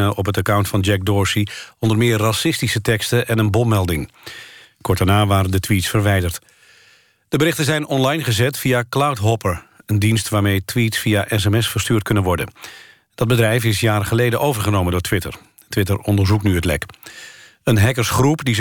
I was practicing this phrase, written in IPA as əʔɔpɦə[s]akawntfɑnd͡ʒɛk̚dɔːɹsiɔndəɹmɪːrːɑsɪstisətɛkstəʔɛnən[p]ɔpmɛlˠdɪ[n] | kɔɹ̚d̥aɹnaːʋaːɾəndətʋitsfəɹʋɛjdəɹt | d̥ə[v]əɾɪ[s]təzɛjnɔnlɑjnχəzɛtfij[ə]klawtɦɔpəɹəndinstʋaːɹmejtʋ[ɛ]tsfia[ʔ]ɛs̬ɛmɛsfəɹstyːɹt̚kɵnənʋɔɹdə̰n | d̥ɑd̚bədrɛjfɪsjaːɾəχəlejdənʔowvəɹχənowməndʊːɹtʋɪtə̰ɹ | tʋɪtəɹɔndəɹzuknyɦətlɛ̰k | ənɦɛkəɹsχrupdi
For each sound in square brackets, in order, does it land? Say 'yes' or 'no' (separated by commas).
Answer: no, no, no, no, no, no, no, yes